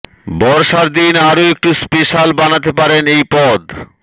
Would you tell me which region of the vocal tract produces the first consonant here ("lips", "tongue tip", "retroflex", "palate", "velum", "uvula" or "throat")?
lips